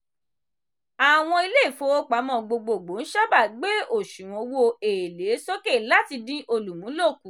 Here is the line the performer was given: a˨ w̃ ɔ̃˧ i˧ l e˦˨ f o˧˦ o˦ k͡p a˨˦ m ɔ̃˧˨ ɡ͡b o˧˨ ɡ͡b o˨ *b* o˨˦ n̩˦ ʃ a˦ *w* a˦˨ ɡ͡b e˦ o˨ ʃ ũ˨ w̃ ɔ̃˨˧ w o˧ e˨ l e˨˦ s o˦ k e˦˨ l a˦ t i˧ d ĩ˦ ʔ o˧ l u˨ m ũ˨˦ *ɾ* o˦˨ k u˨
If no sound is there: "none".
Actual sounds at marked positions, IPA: ɡ͡b, b, l

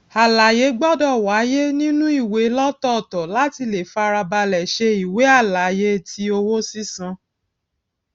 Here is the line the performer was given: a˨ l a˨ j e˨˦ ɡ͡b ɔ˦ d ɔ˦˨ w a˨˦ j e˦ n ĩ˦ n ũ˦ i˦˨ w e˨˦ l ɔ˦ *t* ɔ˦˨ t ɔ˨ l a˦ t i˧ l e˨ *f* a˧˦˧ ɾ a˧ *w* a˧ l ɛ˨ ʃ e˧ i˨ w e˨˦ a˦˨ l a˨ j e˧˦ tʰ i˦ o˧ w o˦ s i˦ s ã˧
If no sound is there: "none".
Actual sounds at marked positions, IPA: t, f, b

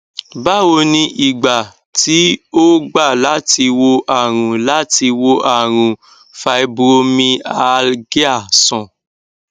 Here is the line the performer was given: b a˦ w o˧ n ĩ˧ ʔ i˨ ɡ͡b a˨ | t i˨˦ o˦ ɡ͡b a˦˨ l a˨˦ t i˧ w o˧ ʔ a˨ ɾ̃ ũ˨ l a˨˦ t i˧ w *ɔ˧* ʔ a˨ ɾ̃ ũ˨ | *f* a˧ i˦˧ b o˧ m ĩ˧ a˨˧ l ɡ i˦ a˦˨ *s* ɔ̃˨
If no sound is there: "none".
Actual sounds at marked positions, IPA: o˧, f, s

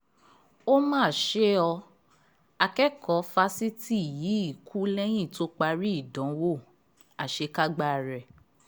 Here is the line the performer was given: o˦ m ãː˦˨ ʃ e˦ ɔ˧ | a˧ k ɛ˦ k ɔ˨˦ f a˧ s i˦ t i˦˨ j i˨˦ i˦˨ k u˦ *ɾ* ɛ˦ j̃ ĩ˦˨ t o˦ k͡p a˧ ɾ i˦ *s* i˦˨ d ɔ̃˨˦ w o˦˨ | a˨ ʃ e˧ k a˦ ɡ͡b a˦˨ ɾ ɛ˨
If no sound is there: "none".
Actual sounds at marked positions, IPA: l, none

